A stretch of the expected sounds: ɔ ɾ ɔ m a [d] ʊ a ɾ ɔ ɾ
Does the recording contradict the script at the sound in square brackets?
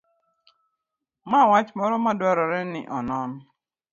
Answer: no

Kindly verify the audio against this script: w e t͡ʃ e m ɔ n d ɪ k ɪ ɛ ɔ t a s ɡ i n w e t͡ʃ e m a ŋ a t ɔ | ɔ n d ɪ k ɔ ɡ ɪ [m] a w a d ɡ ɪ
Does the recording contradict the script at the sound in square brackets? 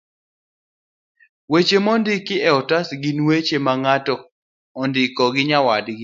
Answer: yes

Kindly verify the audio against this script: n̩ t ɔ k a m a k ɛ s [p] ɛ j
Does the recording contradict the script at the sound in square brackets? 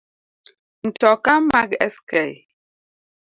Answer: yes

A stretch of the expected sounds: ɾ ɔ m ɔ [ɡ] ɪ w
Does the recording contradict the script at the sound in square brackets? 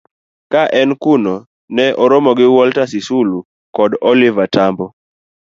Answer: no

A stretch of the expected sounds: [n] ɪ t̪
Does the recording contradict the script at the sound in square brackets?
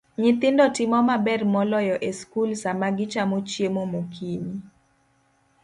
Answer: yes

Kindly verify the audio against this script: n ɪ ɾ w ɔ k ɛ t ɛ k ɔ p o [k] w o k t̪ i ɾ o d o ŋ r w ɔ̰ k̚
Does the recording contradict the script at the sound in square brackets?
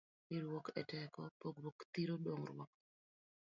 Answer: yes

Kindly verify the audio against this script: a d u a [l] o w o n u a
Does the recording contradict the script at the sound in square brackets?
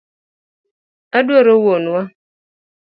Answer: yes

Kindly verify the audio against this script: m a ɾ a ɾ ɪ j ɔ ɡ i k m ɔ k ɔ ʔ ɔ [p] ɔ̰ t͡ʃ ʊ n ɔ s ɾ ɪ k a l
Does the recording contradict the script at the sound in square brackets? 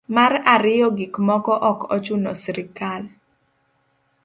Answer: yes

